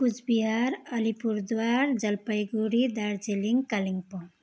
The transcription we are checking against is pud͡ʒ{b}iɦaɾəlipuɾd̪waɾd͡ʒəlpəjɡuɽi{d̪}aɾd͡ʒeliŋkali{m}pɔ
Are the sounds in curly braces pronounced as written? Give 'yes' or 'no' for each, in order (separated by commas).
yes, yes, no